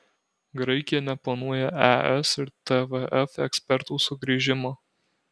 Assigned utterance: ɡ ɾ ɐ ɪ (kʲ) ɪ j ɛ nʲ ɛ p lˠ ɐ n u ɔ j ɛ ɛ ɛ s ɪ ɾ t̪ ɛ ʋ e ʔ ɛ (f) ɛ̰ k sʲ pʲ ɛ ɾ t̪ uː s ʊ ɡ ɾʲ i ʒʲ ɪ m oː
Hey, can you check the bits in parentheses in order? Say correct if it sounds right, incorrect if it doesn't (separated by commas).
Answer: correct, correct